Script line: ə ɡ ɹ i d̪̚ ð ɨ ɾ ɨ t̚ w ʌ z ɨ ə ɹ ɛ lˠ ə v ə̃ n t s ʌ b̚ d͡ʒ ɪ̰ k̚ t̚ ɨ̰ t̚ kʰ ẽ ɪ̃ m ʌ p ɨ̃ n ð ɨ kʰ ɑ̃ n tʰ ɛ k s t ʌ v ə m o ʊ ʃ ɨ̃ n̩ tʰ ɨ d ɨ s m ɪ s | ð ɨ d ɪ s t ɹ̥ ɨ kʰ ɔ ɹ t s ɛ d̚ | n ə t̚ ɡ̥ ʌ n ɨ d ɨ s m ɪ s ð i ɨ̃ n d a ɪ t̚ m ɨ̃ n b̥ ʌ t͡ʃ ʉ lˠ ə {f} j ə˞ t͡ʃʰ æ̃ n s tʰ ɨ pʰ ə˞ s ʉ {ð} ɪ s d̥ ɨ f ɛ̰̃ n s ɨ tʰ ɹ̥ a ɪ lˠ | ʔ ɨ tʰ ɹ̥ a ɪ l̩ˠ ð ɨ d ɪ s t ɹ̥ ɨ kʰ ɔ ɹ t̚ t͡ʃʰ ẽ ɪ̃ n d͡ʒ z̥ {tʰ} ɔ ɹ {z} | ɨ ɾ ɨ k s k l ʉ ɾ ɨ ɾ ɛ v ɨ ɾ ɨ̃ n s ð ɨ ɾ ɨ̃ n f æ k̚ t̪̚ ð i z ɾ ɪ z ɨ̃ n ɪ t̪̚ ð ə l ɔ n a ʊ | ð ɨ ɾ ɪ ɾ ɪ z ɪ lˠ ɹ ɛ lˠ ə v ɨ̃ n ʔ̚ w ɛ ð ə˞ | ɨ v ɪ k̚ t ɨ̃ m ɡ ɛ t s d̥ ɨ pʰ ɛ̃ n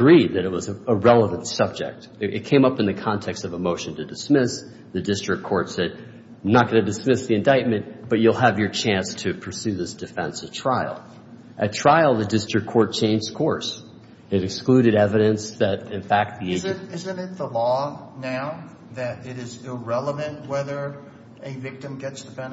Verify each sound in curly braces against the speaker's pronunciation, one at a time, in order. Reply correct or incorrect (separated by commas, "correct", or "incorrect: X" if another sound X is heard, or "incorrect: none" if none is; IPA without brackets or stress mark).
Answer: incorrect: v, correct, incorrect: kʰ, incorrect: s